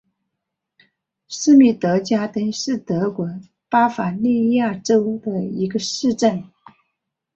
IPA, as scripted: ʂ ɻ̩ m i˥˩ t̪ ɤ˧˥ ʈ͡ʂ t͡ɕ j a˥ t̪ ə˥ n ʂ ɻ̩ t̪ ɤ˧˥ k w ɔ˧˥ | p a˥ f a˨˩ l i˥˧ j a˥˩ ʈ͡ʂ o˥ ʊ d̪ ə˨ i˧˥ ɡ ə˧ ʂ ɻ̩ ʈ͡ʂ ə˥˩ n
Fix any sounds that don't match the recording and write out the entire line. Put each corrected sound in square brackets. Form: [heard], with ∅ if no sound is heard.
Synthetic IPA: ʂ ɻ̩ m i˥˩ t̪ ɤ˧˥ [∅] t͡ɕ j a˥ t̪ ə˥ n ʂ ɻ̩ t̪ ɤ˧˥ k w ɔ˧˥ | p a˥ f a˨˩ l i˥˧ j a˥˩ ʈ͡ʂ o˥ ʊ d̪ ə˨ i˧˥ ɡ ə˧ ʂ ɻ̩ ʈ͡ʂ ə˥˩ n